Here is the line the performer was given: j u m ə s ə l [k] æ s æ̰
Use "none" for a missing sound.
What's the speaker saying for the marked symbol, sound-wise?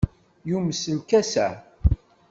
k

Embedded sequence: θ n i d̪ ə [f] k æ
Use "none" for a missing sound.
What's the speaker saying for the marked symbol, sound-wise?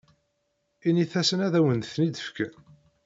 f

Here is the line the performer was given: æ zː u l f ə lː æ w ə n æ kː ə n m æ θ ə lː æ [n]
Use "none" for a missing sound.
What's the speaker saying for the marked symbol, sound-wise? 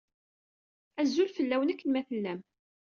m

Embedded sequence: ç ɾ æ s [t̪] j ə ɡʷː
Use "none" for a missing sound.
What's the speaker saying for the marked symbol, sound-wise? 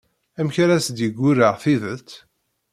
d̪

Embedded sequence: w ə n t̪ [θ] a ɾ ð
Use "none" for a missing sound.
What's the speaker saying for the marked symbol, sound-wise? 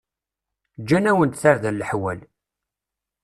θ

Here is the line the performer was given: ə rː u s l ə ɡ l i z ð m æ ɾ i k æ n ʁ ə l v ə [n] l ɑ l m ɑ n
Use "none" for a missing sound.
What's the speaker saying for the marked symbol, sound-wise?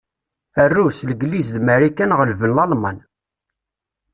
n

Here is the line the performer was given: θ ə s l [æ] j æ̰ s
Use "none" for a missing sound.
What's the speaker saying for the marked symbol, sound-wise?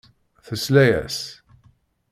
æ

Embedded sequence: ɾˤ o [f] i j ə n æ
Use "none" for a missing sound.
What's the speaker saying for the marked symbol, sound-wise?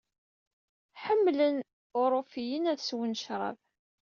f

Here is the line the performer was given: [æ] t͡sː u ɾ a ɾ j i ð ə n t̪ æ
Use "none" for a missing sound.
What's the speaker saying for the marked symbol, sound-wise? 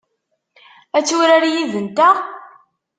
æ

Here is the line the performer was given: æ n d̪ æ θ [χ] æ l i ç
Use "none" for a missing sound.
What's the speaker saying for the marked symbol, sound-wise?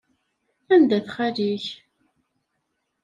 χ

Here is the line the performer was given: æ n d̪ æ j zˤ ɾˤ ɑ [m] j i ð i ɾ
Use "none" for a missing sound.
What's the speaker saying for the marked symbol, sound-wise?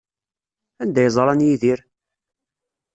n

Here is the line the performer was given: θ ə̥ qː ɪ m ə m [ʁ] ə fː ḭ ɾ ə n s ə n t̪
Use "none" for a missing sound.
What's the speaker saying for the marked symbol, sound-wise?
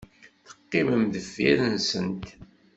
ð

